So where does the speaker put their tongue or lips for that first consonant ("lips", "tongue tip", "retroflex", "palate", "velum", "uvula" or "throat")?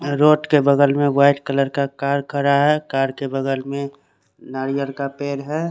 tongue tip